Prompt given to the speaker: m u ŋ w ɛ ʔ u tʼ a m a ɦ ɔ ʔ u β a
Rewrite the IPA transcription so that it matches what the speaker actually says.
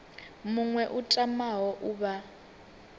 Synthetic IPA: m u ŋ w ɛ ʔ u tʼ a m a ɦ ɔ ʔ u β a